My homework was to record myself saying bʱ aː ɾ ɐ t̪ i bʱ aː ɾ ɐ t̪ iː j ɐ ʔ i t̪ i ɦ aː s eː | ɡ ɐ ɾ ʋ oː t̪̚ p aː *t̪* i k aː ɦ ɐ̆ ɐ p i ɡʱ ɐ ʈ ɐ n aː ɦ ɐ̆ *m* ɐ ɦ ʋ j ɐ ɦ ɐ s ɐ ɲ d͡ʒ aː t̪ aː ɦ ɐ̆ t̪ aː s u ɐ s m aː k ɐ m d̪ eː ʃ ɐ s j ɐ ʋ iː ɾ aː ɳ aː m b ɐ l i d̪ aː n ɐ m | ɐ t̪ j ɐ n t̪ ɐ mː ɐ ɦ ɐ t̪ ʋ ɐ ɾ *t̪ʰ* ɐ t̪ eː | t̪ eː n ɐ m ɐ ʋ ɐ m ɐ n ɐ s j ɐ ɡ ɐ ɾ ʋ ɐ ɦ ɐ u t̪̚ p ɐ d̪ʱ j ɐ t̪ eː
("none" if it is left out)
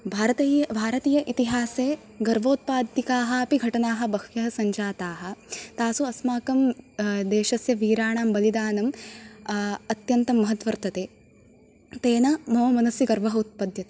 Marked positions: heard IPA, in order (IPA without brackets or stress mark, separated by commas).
d̪, b, t̪